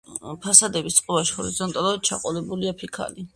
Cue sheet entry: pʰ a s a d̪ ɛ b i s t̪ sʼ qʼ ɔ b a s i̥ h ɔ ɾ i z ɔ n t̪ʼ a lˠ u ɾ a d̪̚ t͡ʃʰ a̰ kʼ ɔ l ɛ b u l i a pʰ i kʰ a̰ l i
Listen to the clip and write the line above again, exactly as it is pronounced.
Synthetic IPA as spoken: pʰ a s a d̪ ɛ b i s t̪ sʼ qʼ ɔ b a ʃ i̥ h ɔ ɾ i z ɔ n t̪ʼ a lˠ u ɾ a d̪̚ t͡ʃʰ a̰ qʼ ɔ l ɛ b u l i a pʰ i kʰ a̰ l i